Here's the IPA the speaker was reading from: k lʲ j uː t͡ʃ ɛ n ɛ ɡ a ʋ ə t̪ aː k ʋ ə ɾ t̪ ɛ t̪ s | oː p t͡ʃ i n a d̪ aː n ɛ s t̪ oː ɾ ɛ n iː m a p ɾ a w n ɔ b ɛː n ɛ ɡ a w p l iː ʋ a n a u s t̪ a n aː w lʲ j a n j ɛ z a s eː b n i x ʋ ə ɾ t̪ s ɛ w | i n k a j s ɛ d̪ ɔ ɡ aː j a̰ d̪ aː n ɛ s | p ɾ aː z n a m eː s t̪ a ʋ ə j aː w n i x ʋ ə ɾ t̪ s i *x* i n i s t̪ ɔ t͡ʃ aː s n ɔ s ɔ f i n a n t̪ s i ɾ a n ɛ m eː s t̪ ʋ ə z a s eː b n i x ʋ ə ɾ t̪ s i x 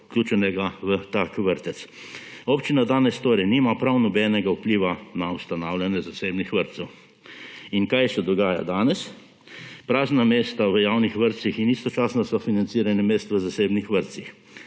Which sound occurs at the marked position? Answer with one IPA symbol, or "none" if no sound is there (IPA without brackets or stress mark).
x